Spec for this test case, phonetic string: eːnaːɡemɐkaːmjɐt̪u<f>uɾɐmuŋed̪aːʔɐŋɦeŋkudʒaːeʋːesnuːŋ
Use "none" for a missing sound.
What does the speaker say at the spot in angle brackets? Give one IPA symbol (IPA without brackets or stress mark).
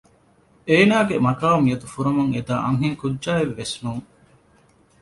f